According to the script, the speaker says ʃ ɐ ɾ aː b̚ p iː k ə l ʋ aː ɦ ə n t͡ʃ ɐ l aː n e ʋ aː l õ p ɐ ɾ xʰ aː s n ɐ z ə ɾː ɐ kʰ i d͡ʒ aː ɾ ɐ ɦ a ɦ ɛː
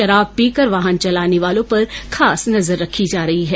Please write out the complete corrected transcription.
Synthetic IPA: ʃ ɐ ɾ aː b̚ p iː k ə ɾ ʋ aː ɦ ə n t͡ʃ ɐ l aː n e ʋ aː l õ p ɐ ɾ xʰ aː s n ɐ z ə ɾː ɐ kʰ i d͡ʒ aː ɾ ɐ ɦ i ɦ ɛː